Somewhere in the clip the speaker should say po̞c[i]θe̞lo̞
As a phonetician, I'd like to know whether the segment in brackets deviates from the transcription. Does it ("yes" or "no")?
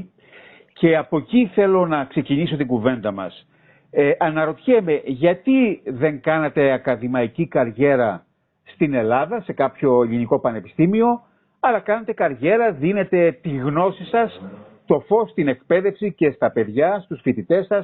no